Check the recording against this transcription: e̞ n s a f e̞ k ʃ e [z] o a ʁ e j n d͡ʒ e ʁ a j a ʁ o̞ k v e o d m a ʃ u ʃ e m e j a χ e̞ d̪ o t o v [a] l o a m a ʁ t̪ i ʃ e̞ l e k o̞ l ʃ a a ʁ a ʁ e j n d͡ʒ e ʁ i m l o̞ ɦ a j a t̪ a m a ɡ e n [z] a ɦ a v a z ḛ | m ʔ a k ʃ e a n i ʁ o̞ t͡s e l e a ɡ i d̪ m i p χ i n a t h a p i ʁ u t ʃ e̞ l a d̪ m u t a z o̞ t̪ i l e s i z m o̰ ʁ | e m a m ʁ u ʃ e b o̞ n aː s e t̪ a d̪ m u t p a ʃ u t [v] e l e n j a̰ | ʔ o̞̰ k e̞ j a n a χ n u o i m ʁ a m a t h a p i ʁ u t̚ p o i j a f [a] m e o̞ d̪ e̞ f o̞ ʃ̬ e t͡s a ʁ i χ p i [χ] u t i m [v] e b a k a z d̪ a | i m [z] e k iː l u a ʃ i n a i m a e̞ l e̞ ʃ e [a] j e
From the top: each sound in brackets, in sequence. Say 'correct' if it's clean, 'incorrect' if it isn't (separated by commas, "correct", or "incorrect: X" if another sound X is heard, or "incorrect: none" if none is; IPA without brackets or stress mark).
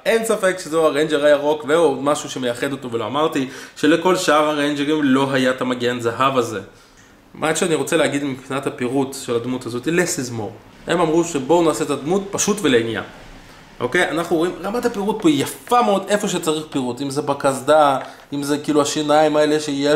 correct, incorrect: e, correct, correct, correct, incorrect: ʁ, incorrect: z, correct, incorrect: i